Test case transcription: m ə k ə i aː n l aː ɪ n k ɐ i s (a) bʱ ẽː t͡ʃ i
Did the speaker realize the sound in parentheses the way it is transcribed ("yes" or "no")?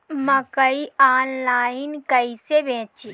no